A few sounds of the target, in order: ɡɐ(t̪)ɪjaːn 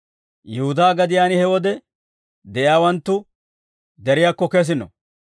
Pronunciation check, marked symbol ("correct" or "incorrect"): incorrect